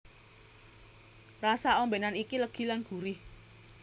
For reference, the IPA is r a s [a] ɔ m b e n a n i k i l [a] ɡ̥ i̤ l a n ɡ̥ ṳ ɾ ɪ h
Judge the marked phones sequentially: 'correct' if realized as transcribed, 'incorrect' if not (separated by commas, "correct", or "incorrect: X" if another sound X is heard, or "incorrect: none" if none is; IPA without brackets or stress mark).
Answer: correct, incorrect: ə